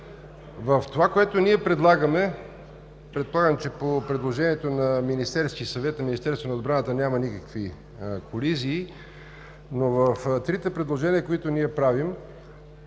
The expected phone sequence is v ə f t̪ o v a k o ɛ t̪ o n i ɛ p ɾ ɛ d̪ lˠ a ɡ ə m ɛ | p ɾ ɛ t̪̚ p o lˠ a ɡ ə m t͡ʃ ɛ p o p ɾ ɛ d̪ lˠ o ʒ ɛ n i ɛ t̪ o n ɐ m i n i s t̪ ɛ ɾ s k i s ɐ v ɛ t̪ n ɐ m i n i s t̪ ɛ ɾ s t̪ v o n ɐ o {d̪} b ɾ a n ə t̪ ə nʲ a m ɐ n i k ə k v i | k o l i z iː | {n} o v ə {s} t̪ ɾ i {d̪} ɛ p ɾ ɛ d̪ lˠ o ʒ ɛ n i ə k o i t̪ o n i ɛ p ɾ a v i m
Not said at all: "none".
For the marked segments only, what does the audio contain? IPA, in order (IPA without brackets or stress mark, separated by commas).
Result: d̪, n, f, t̪